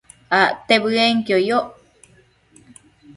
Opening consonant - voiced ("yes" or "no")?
no